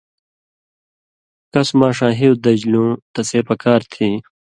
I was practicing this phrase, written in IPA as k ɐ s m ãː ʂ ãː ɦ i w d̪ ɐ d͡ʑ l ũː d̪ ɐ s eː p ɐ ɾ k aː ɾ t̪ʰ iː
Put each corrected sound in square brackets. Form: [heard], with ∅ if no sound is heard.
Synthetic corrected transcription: k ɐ s m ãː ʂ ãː ɦ i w d̪ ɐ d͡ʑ l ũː [t̪] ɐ s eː p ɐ [∅] k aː ɾ t̪ʰ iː